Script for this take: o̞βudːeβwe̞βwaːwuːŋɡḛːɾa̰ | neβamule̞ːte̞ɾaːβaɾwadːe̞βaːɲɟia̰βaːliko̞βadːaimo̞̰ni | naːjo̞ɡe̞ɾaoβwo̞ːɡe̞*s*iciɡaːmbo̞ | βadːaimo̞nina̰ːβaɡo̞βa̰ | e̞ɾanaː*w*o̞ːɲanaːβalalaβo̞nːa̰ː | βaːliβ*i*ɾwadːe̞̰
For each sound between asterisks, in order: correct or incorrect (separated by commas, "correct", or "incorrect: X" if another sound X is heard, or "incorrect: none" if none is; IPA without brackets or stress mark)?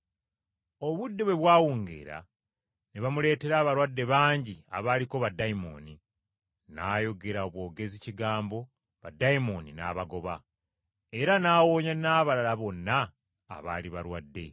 incorrect: z, correct, incorrect: a